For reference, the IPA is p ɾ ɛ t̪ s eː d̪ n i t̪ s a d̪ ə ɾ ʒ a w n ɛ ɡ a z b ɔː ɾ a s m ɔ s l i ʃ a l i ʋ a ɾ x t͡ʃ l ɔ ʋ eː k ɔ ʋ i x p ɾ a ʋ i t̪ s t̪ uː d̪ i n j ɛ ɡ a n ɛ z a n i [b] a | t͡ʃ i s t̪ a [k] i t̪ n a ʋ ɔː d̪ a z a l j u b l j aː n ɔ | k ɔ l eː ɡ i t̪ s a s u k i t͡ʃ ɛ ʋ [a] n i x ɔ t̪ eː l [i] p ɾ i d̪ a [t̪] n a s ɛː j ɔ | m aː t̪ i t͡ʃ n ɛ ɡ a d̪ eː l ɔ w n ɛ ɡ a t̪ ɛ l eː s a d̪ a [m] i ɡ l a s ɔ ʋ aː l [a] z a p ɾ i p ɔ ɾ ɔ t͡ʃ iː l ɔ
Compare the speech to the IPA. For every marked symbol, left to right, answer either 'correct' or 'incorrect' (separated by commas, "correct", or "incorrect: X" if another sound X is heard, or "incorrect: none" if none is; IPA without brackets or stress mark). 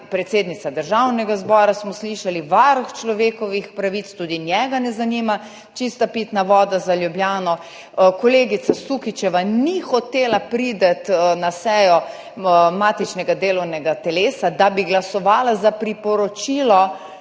incorrect: m, incorrect: p, correct, incorrect: a, correct, incorrect: b, correct